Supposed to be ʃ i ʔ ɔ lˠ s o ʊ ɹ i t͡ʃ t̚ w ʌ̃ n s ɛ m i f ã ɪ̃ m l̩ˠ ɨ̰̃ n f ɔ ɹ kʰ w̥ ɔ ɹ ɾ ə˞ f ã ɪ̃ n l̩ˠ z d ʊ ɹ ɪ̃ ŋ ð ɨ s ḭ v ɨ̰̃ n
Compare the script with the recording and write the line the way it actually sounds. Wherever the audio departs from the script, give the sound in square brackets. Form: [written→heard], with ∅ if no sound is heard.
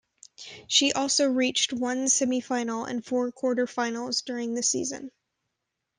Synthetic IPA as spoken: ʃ i ʔ ɔ lˠ s o ʊ ɹ i t͡ʃ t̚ w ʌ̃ n s ɛ m i f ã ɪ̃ [m→n] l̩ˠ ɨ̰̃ n f ɔ ɹ kʰ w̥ ɔ ɹ ɾ ə˞ f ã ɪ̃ n l̩ˠ z d ʊ ɹ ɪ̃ ŋ ð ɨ s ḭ [v→z] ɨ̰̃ n